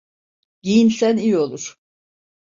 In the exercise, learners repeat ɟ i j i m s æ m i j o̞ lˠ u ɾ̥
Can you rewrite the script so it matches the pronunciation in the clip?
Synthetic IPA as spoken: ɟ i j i n s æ n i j o̞ lˠ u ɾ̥